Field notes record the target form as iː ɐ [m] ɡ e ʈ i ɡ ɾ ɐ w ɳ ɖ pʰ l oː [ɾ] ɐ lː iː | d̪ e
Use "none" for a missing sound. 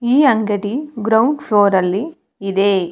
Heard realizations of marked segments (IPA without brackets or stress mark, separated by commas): ŋ, ɾ